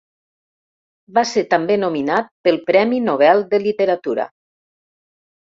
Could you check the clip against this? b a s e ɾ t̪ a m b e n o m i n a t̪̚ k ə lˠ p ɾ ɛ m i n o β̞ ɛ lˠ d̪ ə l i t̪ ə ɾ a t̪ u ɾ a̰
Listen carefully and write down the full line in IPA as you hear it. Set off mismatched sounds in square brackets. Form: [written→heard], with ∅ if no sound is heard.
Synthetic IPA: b a s e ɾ t̪ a m b e n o m i n a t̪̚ [k→p] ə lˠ p ɾ ɛ m i n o β̞ ɛ lˠ d̪ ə l i t̪ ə ɾ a t̪ u ɾ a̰